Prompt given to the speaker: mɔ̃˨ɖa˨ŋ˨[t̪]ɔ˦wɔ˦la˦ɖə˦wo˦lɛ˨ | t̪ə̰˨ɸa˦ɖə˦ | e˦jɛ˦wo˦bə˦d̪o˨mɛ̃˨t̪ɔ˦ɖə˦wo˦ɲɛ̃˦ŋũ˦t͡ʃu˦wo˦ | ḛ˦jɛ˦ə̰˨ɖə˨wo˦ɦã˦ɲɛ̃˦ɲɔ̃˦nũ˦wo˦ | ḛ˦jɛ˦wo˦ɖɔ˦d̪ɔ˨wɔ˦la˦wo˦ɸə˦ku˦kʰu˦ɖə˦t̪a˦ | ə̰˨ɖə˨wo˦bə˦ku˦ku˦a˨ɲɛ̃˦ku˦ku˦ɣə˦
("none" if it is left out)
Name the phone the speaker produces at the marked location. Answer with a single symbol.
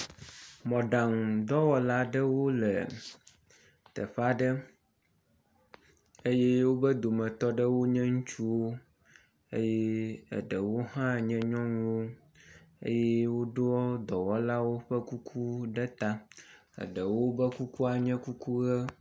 d̪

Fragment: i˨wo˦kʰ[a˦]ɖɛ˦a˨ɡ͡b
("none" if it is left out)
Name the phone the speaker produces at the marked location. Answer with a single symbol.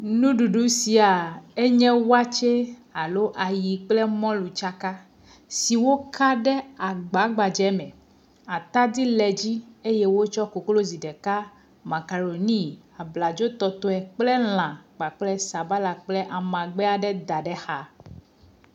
a˦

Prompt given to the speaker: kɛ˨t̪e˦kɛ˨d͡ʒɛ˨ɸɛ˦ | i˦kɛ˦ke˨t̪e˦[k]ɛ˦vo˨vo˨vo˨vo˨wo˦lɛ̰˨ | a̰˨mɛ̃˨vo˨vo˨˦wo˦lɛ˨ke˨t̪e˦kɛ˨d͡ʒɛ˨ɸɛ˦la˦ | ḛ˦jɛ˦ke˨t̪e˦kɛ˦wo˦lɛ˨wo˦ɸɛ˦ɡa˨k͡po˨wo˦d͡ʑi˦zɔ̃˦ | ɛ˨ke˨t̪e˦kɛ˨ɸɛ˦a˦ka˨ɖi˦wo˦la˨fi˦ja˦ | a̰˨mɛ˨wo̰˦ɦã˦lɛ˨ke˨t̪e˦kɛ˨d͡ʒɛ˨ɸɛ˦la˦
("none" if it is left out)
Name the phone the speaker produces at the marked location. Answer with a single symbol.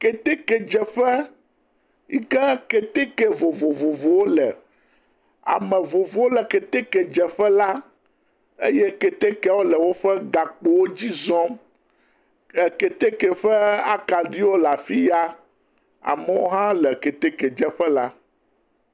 k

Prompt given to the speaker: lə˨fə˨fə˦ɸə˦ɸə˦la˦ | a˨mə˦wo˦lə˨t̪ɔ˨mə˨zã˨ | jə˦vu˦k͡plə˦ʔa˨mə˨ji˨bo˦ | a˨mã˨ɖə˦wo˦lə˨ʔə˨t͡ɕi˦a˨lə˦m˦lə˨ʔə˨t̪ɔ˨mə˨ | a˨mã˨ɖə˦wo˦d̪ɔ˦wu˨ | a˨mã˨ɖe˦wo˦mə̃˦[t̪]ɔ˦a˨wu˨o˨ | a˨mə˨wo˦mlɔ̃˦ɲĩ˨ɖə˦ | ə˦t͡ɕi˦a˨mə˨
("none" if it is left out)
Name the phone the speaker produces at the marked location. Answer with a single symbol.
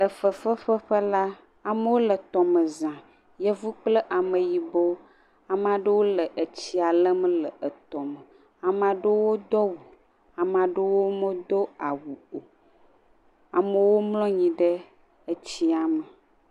d̪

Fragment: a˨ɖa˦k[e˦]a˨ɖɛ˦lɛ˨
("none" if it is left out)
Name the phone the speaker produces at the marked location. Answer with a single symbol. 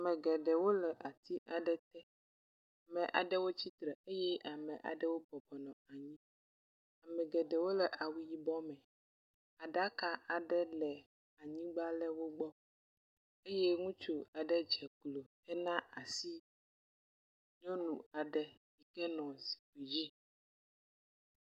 a˦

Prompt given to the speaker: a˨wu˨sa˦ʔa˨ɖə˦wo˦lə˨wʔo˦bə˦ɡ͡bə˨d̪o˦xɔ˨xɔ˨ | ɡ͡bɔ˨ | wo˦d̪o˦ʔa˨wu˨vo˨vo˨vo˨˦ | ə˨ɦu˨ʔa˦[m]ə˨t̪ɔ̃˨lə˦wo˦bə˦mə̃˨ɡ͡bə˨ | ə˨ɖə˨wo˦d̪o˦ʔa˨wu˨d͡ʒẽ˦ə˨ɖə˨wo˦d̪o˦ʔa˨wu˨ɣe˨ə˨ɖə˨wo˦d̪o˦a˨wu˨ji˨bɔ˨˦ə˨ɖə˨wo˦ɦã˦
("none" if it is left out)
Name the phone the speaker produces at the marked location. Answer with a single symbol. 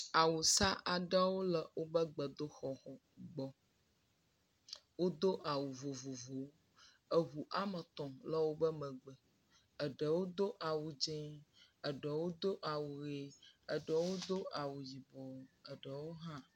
m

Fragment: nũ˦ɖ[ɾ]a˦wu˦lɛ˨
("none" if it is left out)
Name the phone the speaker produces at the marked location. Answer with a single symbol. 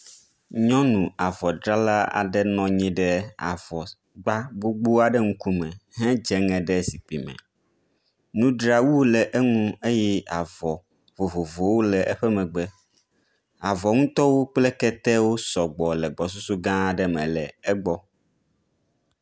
ɾ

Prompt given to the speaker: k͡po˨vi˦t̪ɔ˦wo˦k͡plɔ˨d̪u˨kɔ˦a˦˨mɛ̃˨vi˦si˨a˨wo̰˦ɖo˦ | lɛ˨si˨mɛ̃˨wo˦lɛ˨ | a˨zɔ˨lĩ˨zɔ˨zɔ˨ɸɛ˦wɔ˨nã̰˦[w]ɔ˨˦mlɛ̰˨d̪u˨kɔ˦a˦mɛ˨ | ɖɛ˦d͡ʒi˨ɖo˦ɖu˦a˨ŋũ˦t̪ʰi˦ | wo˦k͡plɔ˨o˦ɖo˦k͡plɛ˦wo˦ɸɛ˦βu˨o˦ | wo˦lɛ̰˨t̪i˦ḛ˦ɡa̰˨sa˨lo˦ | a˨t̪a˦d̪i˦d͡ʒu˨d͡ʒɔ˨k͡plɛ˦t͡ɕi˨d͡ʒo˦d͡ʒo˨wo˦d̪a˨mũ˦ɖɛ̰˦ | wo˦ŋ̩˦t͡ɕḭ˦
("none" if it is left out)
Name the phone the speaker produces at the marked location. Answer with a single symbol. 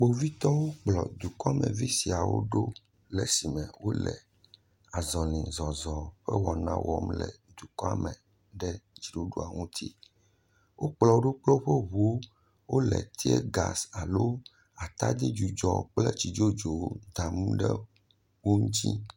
w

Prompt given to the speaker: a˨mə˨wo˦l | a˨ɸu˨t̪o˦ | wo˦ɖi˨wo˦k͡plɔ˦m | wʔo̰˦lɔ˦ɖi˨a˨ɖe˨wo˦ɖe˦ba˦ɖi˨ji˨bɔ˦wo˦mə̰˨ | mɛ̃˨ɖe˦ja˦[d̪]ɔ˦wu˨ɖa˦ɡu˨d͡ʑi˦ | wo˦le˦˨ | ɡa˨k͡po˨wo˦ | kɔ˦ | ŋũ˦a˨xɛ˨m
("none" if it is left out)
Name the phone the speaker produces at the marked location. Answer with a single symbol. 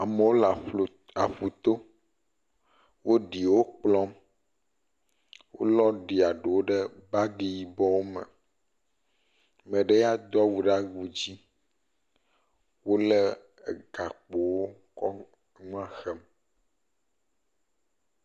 d̪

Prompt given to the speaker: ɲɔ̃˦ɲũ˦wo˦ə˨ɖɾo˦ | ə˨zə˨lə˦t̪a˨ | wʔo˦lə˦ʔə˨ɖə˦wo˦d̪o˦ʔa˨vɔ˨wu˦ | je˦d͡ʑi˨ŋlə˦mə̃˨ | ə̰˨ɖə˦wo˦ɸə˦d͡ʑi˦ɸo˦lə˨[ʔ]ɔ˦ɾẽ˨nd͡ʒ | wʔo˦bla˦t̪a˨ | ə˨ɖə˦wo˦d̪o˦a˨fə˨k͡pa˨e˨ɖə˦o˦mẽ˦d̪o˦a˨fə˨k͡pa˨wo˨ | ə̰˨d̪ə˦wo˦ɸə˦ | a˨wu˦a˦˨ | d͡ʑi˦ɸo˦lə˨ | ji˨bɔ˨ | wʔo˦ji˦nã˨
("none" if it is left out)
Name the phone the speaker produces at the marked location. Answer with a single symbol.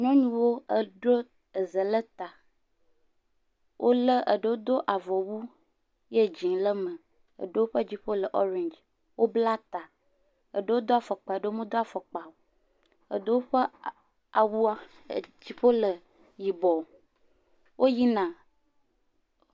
ʔ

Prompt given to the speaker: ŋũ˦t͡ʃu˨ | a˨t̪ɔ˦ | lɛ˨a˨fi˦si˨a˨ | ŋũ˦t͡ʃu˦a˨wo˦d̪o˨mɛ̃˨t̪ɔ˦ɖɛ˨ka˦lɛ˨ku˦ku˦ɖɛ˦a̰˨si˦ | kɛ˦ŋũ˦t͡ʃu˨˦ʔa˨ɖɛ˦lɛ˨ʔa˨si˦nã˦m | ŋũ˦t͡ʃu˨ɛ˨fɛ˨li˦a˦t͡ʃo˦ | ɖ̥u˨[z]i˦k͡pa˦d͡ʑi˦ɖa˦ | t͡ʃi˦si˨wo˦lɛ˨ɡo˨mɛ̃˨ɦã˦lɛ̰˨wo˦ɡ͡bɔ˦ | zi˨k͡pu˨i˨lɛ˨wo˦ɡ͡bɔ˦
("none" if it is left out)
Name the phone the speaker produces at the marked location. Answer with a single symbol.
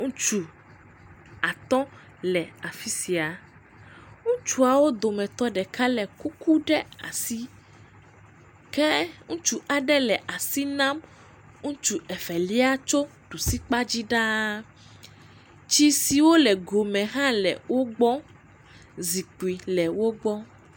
s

